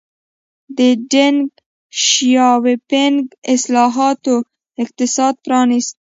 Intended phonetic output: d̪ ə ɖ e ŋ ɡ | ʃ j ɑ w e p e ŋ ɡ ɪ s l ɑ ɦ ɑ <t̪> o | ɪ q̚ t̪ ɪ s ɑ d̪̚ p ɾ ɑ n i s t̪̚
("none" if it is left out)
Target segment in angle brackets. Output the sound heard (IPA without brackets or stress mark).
t̪